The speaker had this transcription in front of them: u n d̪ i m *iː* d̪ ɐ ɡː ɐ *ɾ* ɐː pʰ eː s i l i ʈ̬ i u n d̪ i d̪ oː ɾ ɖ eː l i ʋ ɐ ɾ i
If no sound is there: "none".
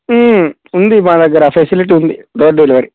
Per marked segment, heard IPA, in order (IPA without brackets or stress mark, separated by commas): aː, ɾ